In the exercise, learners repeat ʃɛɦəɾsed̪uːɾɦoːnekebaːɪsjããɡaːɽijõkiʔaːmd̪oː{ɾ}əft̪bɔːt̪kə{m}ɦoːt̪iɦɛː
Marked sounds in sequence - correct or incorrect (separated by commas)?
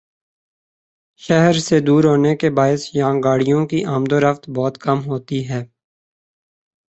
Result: correct, correct